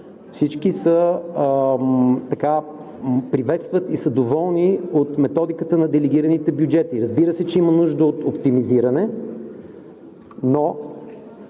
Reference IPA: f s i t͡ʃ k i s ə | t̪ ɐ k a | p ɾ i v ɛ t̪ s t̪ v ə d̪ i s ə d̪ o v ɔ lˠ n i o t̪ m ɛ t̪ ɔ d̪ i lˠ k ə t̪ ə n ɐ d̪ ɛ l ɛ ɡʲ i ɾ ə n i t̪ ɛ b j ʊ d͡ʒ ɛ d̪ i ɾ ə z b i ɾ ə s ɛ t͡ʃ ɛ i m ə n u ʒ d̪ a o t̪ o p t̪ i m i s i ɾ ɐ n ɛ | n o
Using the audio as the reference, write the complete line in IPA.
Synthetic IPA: f s i t͡ʃ k i s ə | t̪ ɐ k a | p ɾ i v ɛ t̪ s t̪ v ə t̪ i s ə d̪ o v ɔ lˠ n i o t̪ m ɛ t̪ ɔ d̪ i k ə t̪ ə n ɐ d̪ ɛ l ɛ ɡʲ i ɾ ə n i t̪ ɛ b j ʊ d͡ʒ ɛ t̪ i ɾ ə z b i ɾ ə s ɛ t͡ʃ ɛ i m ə n u ʒ d̪ ə o t̪ o p t̪ i m i z i ɾ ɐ n ɛ | n o